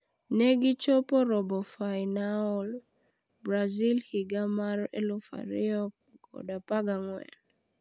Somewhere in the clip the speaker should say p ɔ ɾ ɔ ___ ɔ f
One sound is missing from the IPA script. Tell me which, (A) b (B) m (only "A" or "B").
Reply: A